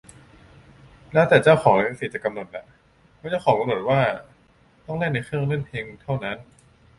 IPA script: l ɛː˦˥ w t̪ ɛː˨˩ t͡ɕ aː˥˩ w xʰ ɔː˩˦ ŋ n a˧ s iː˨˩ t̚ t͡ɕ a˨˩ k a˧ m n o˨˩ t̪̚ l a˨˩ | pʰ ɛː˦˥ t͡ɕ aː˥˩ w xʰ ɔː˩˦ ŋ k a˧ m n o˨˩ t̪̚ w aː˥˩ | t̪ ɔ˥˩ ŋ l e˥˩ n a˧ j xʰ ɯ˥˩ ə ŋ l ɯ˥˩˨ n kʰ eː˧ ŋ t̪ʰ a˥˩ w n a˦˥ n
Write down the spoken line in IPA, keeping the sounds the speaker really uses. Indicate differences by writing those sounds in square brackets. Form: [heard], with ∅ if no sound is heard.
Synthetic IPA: l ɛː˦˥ w t̪ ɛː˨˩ t͡ɕ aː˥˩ w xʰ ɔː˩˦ ŋ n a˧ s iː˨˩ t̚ t͡ɕ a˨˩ k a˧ m n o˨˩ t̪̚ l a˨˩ | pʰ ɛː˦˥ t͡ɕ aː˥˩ w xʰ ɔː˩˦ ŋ k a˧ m n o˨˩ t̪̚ w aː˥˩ | t̪ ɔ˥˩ ŋ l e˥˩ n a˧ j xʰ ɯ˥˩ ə ŋ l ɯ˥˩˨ n [pʰ] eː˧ ŋ t̪ʰ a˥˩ w n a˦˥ n